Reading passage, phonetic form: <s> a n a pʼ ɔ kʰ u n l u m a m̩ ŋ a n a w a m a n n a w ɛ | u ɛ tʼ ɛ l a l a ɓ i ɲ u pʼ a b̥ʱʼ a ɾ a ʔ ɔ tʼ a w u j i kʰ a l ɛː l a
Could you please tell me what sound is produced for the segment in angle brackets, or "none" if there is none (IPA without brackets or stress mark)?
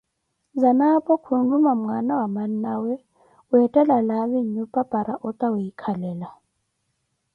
z